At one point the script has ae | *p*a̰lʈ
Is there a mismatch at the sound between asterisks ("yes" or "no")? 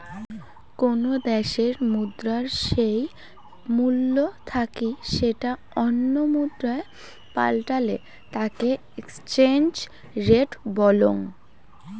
no